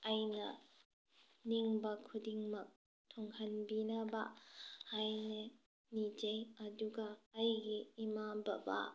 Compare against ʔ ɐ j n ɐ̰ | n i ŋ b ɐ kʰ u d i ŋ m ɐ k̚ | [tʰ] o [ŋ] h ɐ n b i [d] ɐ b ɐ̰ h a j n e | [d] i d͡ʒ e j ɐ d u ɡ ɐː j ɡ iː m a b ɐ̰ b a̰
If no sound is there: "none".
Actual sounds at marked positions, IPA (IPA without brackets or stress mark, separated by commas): tʰ, ŋ, n, n